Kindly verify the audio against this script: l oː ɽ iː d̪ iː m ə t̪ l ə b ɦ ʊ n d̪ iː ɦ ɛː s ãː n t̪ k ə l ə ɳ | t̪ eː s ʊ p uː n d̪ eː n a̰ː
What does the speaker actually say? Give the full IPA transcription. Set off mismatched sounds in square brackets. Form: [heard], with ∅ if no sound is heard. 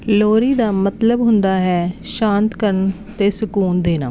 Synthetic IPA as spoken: l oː [ɾ] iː d̪ [aː] m ə t̪ l ə b ɦ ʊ n d̪ [aː] ɦ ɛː [ʃ] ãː n t̪ k ə [ɾ] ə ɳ | t̪ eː s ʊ [k] uː n d̪ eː n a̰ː